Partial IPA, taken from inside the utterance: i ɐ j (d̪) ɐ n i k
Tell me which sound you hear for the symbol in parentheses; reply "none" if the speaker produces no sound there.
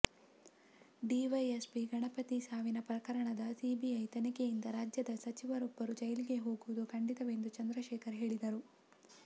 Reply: t̪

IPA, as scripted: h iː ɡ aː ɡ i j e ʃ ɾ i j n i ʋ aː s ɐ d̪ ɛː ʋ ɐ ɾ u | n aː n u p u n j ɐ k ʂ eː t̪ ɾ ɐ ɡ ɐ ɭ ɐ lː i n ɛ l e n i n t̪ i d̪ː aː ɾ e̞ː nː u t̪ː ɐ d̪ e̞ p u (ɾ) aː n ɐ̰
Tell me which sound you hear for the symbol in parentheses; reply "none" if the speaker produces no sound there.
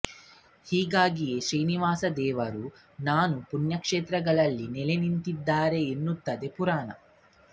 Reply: ɾ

